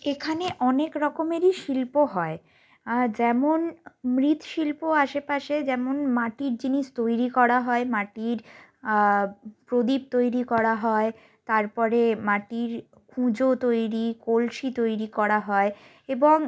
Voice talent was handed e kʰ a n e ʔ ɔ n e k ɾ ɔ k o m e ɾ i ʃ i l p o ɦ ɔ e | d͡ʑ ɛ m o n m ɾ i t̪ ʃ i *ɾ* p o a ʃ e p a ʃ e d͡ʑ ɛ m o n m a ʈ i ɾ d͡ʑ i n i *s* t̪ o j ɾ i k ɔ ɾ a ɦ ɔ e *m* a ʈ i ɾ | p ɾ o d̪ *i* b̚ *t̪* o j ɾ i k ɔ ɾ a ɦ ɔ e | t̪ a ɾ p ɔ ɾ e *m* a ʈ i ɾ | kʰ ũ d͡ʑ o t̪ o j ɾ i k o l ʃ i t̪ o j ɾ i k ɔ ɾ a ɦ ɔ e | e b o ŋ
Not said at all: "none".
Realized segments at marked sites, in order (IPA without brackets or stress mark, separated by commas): l, ʃ, m, i, t̪, m